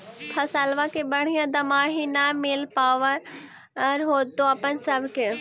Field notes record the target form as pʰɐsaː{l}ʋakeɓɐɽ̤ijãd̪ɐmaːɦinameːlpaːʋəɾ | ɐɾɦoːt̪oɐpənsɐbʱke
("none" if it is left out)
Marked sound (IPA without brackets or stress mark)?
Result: l